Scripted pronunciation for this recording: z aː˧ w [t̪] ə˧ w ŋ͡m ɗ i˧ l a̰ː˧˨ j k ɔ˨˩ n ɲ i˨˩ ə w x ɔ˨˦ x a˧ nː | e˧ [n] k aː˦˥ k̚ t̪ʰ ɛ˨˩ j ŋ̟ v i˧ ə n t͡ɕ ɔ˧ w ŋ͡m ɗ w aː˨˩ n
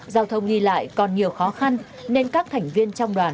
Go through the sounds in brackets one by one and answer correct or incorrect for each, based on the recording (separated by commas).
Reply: incorrect, correct